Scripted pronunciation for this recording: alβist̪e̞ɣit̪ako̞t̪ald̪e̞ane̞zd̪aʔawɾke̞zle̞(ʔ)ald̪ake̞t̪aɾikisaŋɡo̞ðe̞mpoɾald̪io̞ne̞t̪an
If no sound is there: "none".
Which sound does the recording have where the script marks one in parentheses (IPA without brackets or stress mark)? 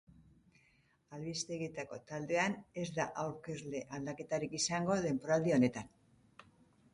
ʔ